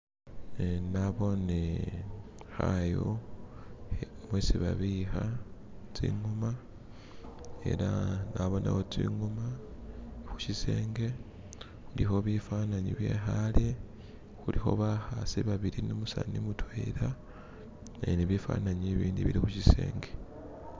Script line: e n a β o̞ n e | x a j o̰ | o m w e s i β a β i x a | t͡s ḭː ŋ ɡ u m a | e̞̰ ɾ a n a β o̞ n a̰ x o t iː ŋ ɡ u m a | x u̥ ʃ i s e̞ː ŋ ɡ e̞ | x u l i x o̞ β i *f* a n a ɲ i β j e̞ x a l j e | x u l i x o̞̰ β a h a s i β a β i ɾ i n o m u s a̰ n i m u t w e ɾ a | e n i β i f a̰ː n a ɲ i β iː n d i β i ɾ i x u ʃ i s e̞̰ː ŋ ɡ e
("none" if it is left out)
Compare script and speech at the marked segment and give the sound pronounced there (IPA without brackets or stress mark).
f